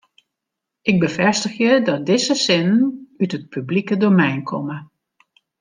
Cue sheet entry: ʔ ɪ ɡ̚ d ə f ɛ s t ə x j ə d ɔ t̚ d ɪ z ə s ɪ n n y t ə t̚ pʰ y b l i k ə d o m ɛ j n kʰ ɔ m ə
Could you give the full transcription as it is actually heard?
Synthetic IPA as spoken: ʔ ɪ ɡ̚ b ə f ɛ s t ə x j ə d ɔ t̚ d ɪ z ə s ɪ n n y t ə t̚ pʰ y b l i k ə d o m ɛ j n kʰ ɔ m ə